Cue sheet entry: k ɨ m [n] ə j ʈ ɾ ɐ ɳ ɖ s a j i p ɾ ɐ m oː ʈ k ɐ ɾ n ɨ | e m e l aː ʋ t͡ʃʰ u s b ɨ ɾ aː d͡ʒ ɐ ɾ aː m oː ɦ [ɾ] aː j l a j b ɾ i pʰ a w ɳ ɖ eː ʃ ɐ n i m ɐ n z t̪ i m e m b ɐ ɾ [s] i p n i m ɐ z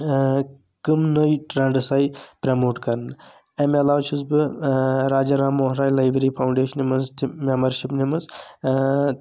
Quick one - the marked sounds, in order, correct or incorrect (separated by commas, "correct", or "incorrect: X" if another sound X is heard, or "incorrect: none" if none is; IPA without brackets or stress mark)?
correct, correct, incorrect: ʃ